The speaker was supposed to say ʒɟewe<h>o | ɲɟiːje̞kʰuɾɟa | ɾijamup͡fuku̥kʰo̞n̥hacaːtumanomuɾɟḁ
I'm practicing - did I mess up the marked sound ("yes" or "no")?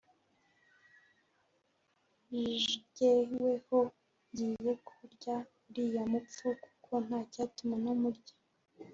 no